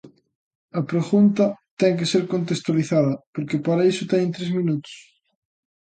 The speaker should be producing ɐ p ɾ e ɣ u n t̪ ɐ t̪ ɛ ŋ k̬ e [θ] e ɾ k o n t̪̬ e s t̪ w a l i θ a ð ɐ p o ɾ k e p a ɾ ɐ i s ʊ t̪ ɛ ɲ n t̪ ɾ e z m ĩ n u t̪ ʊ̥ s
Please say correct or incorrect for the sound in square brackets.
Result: incorrect